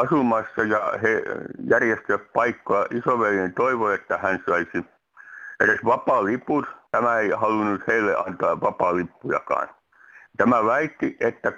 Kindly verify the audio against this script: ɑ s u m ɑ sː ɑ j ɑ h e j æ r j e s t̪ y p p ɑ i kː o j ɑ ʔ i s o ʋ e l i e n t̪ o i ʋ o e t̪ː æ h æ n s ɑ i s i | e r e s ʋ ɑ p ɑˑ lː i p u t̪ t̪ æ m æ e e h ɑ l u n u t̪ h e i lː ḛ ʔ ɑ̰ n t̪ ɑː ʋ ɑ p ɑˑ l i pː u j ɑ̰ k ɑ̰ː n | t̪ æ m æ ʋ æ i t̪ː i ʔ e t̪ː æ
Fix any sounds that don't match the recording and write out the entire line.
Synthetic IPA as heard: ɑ s u m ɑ sː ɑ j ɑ h e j æ r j e s t̪ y p p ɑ i kː o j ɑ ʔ i s o ʋ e l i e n t̪ o i ʋ o e t̪ː æ h æ n s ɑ i s i | e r e s ʋ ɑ p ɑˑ l i p u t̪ t̪ æ m æ e i h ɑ l u n u t̪ h e i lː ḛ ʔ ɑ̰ n t̪ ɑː ʋ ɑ p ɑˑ l i pː u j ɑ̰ k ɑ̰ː n | t̪ æ m æ ʋ æ i t̪ː i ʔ e t̪ː æ